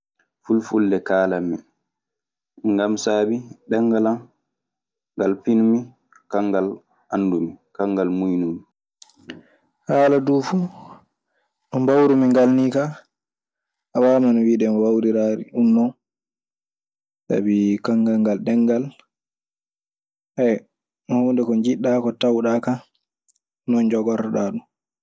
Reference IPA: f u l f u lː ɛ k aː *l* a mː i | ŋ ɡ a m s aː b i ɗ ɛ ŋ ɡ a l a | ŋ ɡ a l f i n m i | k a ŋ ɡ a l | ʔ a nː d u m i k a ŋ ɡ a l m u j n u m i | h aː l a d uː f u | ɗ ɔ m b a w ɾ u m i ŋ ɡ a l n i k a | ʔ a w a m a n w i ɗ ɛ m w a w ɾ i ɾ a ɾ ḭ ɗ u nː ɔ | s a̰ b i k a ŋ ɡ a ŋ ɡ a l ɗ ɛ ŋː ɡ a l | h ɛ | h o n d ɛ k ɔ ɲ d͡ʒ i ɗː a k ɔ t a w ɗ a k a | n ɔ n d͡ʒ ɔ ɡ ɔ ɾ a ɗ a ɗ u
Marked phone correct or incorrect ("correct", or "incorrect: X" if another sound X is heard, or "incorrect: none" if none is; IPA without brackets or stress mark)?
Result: correct